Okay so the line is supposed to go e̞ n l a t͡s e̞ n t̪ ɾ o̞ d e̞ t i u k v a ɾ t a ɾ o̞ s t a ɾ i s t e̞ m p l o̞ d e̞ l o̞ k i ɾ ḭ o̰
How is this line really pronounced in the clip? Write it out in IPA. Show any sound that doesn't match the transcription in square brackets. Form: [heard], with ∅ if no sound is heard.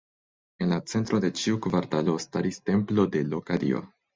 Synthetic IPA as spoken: e̞ n l a t͡s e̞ n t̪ ɾ o̞ d e̞ [t͡ʃ] i u k v a ɾ t a [l] o̞ s t a ɾ i s t e̞ m p l o̞ d e̞ l o̞ k [a] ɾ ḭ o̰